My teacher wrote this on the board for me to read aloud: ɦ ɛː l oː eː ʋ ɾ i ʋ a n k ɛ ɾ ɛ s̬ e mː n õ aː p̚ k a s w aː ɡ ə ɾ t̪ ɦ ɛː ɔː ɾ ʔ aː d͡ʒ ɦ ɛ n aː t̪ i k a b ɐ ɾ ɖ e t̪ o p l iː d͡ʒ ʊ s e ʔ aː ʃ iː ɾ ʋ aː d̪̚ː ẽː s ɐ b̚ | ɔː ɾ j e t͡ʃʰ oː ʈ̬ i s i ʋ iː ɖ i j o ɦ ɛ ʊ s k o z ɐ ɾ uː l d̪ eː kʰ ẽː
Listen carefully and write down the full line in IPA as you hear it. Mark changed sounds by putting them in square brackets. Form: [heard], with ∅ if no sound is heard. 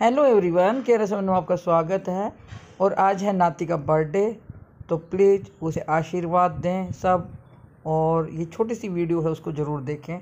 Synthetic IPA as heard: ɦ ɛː l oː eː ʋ ɾ i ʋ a n k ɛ ɾ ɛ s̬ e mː n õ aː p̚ k a s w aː ɡ ə [∅] t̪ ɦ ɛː ɔː ɾ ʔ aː d͡ʒ ɦ ɛ n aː t̪ i k a b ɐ ɾ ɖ e t̪ o p l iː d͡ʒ ʊ s e ʔ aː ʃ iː ɾ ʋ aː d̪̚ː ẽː s ɐ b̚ | ɔː ɾ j e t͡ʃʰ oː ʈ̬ i s i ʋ iː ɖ i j o ɦ ɛ ʊ s k o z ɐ ɾ uː [ɾ] d̪ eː kʰ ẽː